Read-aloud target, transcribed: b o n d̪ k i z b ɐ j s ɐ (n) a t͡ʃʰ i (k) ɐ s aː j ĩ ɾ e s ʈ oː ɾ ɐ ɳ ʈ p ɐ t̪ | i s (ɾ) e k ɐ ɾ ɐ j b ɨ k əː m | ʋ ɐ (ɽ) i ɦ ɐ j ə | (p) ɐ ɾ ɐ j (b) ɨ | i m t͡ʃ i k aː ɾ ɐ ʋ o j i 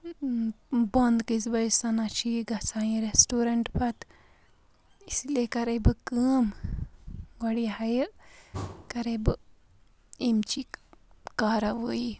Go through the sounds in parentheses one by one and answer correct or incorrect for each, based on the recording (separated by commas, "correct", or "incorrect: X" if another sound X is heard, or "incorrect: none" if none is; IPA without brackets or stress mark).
correct, incorrect: ɡ, incorrect: l, correct, incorrect: k, correct